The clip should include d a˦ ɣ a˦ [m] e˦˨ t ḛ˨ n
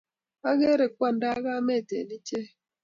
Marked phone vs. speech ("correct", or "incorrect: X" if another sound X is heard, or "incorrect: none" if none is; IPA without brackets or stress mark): correct